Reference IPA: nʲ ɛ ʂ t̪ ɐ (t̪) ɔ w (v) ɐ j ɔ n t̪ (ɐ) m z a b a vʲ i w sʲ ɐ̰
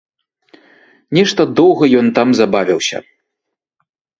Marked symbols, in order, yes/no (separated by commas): no, no, no